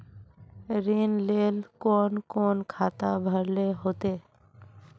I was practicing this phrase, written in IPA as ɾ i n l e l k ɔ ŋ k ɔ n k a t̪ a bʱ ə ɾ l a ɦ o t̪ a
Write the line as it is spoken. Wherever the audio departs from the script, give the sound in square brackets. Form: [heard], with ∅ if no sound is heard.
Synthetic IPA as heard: ɾ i n l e l k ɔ [n] k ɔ n [kʰ] a t̪ a bʱ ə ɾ l [e] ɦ o t̪ [e]

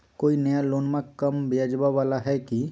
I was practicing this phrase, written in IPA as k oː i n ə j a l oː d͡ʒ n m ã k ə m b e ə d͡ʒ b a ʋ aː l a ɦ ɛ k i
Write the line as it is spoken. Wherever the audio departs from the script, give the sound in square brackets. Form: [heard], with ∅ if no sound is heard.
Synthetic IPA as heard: k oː i n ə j a l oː [∅] n m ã k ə m b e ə d͡ʒ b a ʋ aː l a ɦ ɛ k i

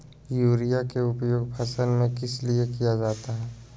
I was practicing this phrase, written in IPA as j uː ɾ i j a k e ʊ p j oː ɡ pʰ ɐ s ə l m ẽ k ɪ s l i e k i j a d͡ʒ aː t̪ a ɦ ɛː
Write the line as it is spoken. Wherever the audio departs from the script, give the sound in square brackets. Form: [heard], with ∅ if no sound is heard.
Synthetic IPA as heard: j uː ɾ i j a k e ʊ p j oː ɡ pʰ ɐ s ə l m ẽ k ɪ s l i e k i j a d͡ʒ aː t̪ a ɦ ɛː

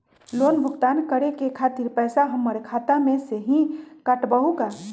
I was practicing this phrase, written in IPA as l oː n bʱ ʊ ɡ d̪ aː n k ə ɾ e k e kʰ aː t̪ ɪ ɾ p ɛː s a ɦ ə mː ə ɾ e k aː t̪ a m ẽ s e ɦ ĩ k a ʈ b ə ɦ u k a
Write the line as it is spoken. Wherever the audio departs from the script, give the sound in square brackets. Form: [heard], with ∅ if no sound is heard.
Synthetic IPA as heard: l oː n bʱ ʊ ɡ [t̪] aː n k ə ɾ e k e kʰ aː t̪ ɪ ɾ p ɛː s a ɦ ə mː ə ɾ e [kʰ] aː t̪ a m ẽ s e ɦ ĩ k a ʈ b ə ɦ u k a

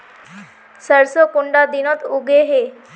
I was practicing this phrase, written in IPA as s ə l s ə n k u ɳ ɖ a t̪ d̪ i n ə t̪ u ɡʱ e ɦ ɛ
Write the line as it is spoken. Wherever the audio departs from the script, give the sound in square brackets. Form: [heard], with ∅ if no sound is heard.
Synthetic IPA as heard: s ə [ɾ] s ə [∅] k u ɳ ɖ a [∅] d̪ i n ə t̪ u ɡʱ e ɦ [e]

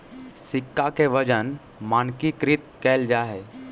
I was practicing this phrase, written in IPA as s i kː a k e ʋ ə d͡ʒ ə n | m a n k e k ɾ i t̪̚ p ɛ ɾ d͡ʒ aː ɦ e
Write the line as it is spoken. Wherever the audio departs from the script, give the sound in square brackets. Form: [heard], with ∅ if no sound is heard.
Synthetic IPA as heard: s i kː a k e ʋ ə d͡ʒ ə n | m a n k [i] k ɾ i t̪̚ [k] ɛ [l] d͡ʒ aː ɦ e

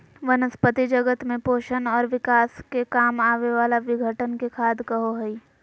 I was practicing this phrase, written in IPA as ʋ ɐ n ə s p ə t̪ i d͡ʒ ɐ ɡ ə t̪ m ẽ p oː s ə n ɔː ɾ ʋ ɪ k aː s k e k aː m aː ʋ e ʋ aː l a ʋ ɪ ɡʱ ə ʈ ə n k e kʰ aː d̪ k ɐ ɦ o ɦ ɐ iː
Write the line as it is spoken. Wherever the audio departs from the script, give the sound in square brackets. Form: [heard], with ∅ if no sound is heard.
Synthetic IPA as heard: ʋ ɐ n ə s p ə t̪ i d͡ʒ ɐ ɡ ə t̪ m ẽ p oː [ʃ] ə n ɔː ɾ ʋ ɪ k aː s k e k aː m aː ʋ e ʋ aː l a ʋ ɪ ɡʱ ə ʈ ə n k e kʰ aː d̪ k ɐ ɦ o ɦ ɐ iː

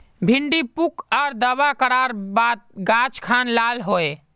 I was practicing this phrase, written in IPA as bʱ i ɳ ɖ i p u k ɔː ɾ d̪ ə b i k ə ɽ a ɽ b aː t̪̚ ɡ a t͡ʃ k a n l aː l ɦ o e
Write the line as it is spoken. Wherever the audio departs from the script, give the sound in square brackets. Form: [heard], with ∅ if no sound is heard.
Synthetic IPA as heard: bʱ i ɳ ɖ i p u k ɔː ɾ d̪ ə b [a] k ə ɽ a [ɾ] b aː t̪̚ ɡ a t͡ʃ [kʰ] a n l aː l ɦ o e

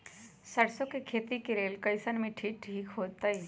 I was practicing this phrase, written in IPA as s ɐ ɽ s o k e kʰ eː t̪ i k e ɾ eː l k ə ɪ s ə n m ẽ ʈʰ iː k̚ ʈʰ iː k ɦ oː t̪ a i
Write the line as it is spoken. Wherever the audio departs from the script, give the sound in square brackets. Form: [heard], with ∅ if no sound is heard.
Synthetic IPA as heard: s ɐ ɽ s o k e kʰ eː t̪ i k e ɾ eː l k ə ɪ s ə n m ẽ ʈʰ iː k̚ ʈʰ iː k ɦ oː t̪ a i

